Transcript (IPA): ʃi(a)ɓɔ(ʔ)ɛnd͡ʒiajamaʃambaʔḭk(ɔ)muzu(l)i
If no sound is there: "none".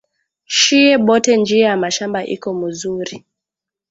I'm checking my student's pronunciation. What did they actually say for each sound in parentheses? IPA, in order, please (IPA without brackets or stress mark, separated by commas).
ɛ, t, ɔ, ɾ